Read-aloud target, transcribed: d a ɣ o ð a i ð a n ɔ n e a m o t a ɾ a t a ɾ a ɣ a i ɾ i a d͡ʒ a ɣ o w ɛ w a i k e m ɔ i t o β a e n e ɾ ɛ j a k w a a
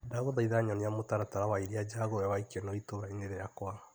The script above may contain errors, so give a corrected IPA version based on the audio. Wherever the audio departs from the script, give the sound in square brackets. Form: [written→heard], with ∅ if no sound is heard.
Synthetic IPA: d a ɣ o ð a i ð a [n→ɲ] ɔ n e a m o t a ɾ a t a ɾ a [ɣ→w] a i ɾ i a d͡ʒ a ɣ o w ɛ w a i k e [m→n] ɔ i t o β a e n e ɾ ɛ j a k w a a